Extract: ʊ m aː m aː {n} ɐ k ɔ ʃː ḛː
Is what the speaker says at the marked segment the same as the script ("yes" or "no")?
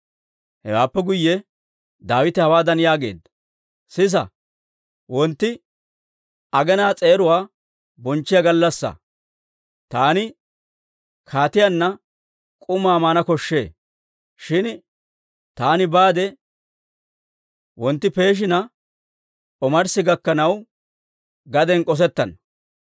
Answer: yes